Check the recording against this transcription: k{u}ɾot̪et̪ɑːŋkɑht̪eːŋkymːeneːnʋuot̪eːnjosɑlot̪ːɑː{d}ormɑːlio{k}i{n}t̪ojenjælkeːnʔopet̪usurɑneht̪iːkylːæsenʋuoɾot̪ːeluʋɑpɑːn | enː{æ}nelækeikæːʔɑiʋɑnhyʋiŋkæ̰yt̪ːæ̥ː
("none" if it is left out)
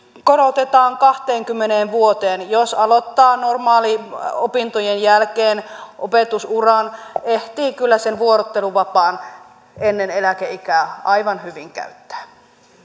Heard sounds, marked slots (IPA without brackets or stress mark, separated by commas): o, n, p, n, e